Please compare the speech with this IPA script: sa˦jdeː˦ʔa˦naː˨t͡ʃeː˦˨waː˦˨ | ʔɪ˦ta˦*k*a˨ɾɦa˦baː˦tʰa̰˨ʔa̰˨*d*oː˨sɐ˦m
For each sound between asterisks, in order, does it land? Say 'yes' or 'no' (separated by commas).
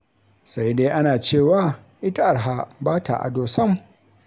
no, yes